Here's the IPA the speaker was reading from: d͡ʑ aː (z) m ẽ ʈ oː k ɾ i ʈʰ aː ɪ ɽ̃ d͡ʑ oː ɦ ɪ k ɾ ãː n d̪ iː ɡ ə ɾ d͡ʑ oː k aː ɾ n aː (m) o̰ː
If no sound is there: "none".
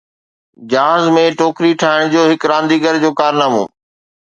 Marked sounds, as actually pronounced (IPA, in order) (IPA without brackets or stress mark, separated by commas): z, m